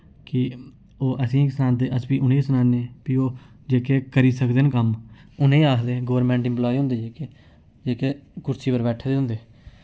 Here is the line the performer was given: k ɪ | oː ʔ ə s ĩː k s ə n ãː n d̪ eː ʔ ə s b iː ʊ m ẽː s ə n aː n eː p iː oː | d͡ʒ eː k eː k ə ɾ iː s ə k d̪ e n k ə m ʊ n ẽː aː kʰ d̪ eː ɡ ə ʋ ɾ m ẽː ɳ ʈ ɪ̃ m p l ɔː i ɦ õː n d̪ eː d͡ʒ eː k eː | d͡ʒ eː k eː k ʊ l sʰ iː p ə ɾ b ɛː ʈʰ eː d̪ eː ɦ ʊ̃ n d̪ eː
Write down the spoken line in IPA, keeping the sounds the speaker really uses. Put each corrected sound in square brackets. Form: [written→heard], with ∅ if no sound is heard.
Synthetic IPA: k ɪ | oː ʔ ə s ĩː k s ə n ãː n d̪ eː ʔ ə s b iː ʊ [m→n] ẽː s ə n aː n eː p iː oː | d͡ʒ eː k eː k ə ɾ iː s ə k d̪ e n k ə m ʊ n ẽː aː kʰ d̪ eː ɡ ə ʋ ɾ m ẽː ɳ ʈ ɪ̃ m p l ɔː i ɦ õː n d̪ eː d͡ʒ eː k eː | d͡ʒ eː k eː k ʊ [l→ɾ] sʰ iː p ə ɾ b ɛː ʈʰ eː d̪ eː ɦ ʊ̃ n d̪ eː